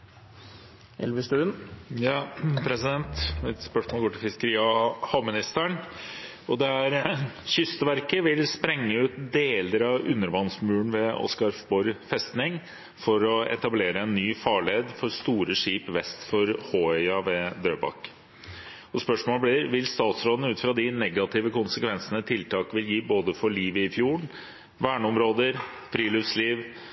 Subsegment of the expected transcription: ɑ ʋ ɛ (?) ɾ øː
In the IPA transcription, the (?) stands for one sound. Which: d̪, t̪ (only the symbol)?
d̪